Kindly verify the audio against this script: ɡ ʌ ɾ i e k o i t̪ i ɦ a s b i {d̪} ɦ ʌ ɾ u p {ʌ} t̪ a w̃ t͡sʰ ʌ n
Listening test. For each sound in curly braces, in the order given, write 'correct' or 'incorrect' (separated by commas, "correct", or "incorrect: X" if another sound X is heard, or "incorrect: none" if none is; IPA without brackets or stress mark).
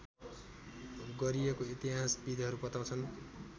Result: correct, correct